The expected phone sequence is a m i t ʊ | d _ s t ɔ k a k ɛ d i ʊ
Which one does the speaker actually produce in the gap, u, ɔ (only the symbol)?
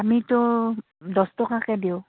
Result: ɔ